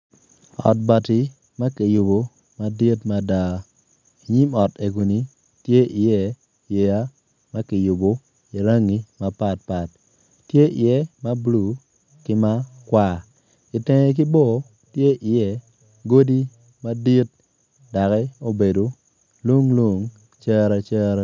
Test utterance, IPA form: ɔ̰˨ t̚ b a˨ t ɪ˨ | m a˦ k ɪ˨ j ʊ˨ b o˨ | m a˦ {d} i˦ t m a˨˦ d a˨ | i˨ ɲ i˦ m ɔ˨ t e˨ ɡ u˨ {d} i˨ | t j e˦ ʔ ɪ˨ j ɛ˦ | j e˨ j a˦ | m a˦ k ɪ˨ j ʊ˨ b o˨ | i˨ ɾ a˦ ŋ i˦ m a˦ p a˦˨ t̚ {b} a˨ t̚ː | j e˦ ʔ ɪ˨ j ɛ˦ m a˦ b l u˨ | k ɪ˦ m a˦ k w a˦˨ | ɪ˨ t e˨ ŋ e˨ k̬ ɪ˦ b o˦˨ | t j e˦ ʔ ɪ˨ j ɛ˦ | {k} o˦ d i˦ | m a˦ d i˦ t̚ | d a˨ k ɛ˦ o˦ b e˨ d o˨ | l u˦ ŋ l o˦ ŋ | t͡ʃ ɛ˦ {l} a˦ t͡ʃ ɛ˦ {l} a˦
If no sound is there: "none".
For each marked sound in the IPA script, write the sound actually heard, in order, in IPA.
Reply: d, n, p, ɡ, ɾ, ɾ

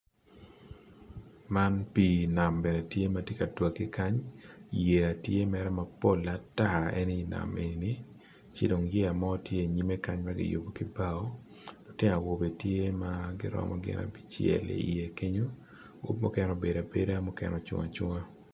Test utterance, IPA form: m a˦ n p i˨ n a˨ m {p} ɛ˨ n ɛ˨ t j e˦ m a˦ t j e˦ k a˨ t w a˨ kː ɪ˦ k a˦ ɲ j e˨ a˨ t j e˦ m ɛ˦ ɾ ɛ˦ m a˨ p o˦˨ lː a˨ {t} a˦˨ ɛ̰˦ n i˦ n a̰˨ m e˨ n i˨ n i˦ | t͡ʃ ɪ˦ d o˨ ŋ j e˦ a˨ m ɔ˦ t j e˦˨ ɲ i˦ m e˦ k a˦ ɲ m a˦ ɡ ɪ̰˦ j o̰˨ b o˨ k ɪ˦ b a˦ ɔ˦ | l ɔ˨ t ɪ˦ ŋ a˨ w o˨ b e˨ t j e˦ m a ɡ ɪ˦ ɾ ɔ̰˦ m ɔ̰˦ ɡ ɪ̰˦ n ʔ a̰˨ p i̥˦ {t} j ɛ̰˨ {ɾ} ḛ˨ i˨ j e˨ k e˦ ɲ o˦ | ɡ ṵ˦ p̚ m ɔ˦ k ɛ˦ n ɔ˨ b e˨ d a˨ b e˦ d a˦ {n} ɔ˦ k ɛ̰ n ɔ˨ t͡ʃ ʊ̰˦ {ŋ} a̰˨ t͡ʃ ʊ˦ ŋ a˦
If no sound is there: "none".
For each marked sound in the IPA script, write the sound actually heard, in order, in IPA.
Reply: b, t, t͡ʃ, l, m, ŋ

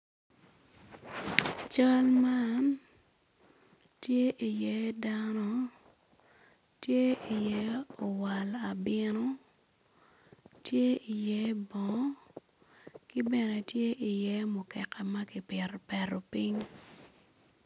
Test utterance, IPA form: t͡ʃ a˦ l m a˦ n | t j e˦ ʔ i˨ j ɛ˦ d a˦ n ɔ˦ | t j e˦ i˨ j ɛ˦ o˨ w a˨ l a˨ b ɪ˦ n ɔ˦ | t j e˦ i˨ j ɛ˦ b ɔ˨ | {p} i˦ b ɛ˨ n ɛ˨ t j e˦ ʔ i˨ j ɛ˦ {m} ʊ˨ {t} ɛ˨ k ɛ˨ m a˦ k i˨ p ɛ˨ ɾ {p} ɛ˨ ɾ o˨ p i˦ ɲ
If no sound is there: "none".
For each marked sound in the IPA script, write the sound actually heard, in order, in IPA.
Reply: k, m, k, p

